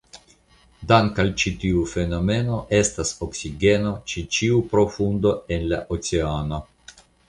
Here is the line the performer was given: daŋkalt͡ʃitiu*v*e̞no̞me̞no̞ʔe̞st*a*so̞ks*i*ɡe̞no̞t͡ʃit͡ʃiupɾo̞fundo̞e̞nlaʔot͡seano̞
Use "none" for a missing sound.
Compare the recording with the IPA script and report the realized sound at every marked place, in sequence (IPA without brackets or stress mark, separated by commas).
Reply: f, a, i